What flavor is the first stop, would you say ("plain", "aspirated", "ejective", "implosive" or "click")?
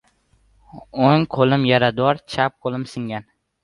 aspirated